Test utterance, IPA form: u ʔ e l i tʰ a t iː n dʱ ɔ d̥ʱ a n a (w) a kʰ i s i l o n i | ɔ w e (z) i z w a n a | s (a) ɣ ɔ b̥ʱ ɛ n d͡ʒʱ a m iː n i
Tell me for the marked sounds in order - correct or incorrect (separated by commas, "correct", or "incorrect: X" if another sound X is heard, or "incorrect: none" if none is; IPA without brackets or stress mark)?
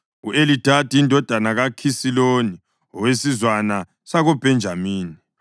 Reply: incorrect: ɣ, incorrect: s, correct